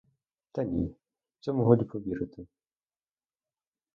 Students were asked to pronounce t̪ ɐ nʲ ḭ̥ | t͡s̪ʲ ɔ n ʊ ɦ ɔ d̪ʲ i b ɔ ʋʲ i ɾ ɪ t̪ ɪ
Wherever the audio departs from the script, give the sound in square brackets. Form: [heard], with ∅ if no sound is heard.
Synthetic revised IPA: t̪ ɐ nʲ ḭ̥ | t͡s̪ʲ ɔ [m] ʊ ɦ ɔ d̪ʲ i [p] ɔ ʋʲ i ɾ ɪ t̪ ɪ